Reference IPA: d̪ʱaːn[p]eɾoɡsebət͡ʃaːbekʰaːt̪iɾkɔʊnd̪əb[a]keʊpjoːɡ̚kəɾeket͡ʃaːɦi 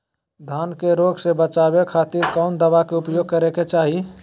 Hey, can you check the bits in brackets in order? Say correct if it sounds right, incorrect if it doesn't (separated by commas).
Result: incorrect, correct